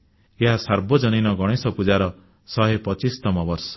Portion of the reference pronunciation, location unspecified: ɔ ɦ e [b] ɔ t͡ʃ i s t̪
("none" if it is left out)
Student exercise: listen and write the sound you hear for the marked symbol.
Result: p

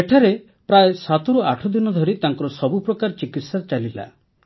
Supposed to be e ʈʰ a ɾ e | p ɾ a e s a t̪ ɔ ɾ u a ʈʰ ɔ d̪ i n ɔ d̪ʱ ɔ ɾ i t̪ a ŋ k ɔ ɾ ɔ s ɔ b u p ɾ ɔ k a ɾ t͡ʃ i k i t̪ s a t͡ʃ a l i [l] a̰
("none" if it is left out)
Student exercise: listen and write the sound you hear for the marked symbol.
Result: l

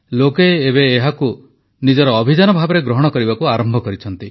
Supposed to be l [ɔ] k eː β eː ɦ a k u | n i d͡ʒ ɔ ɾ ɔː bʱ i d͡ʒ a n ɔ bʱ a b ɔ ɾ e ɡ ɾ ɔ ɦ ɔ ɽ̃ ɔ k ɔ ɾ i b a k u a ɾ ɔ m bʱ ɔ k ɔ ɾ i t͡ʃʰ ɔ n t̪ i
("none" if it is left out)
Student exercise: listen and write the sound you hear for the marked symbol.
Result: o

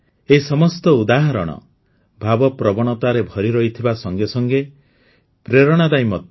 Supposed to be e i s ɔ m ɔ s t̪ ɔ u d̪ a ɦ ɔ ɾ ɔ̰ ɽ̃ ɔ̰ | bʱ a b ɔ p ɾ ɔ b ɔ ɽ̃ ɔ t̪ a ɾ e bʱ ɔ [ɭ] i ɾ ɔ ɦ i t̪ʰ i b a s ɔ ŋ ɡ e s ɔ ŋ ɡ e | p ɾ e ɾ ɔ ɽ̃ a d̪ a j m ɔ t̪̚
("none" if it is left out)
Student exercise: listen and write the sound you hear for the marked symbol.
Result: ɾ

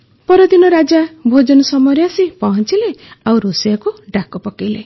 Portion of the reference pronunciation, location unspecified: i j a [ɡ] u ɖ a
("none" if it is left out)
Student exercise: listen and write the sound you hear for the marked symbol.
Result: k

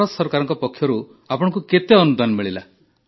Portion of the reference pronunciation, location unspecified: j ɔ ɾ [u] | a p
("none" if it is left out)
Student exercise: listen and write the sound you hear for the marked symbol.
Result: u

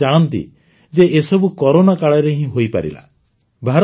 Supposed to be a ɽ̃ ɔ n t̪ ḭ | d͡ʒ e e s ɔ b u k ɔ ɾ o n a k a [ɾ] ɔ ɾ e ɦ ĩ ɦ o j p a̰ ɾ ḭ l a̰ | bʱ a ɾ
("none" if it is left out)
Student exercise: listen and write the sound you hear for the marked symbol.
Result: ɭ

